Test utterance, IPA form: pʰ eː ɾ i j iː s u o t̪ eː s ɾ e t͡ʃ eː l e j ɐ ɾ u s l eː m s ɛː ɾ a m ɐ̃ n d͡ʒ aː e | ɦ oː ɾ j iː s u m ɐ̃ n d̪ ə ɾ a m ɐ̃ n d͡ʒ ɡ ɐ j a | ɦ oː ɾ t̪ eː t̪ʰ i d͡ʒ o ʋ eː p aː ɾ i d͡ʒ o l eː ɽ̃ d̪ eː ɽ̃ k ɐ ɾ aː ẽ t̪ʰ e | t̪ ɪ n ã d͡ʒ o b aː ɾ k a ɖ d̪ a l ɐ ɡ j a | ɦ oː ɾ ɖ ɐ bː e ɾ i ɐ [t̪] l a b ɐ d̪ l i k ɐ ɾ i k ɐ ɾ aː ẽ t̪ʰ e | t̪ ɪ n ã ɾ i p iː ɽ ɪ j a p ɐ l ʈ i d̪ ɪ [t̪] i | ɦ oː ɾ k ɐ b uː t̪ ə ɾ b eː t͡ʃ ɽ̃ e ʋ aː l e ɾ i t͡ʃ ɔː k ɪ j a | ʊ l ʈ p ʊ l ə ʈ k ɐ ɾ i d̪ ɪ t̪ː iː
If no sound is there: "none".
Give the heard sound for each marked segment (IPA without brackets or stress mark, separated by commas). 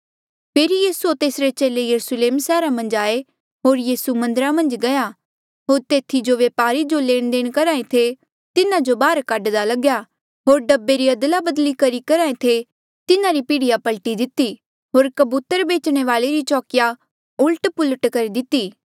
d̪, t̪